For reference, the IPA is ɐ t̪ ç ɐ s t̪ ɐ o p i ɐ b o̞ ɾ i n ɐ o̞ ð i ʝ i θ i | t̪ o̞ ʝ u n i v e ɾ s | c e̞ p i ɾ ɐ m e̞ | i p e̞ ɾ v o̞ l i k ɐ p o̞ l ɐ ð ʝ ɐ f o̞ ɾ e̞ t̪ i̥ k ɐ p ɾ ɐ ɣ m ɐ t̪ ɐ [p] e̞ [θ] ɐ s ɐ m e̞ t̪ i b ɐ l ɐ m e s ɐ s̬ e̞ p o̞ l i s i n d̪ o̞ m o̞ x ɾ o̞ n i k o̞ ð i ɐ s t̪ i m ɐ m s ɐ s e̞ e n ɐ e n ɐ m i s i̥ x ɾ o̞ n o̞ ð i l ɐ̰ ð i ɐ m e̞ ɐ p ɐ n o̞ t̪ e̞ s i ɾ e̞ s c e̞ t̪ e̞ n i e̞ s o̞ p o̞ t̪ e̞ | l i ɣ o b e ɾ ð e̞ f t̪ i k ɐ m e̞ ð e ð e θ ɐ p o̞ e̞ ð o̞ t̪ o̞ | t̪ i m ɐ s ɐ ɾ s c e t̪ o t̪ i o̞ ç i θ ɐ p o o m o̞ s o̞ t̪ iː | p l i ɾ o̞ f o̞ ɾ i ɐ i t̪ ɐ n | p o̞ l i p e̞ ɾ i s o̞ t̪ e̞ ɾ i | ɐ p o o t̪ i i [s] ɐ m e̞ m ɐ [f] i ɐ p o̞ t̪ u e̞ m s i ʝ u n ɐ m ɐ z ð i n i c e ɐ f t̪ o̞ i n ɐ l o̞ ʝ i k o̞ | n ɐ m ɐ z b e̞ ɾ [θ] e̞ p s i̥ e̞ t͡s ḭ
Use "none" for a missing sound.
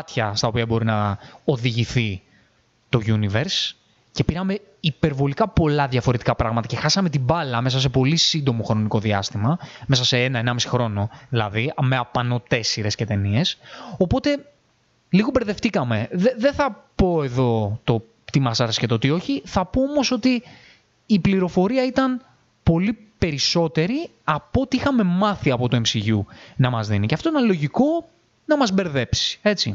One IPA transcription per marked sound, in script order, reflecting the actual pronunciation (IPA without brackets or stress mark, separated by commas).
c, x, x, θ, ð